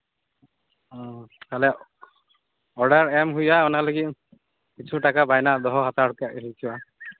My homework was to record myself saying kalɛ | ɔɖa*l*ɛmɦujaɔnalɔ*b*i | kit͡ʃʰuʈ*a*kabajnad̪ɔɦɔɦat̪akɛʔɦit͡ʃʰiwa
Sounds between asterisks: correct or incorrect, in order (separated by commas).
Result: incorrect, incorrect, correct